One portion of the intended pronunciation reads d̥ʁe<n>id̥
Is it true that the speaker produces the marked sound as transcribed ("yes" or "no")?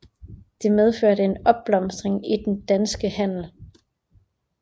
no